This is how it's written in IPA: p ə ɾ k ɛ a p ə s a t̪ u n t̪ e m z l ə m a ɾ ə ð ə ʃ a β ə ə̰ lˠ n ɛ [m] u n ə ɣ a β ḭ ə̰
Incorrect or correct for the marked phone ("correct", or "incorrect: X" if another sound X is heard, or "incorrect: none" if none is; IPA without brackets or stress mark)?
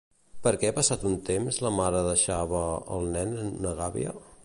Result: incorrect: n